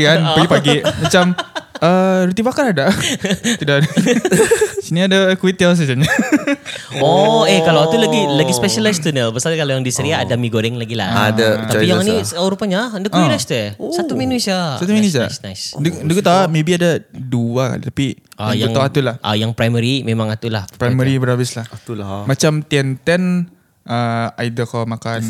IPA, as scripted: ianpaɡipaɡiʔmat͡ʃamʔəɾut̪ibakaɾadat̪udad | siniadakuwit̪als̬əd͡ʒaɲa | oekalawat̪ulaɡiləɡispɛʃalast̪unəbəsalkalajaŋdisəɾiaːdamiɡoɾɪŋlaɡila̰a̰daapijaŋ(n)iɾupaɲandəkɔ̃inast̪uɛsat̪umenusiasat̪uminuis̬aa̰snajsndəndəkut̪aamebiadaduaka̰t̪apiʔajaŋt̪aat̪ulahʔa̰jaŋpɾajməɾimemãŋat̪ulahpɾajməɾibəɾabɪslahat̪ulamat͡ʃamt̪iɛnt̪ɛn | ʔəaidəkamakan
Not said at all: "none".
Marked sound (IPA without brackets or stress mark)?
n